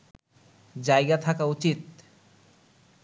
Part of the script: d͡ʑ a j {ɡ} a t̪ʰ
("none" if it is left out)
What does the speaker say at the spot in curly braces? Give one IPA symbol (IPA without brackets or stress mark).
ɡ